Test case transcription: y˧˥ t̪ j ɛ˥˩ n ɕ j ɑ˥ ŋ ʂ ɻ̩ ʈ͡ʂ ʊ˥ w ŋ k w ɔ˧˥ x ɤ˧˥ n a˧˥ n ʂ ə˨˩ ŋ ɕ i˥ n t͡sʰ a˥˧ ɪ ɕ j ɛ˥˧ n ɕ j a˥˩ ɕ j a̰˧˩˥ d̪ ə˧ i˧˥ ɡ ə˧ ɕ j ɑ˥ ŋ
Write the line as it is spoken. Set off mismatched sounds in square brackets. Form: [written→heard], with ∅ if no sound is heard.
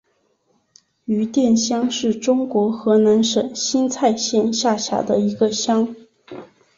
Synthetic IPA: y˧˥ t̪ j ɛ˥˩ n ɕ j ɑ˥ ŋ ʂ ɻ̩ ʈ͡ʂ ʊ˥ [w→∅] ŋ k w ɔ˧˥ x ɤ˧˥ n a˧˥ n ʂ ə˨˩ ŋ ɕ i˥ n t͡sʰ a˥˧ ɪ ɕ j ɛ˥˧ n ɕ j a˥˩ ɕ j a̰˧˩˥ d̪ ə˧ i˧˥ ɡ ə˧ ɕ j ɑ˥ ŋ